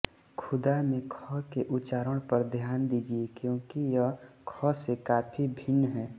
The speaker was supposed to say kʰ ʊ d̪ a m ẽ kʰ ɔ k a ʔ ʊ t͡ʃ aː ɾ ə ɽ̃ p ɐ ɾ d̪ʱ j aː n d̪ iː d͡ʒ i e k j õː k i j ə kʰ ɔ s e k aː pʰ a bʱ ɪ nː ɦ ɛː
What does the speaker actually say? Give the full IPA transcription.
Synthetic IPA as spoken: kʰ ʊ d̪ a m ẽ kʰ ɔ k e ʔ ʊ t͡ʃ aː ɾ ə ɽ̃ p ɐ ɾ d̪ʱ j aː n d̪ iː d͡ʒ i e k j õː k i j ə kʰ ɔ s e k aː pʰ i bʱ ɪ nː ɦ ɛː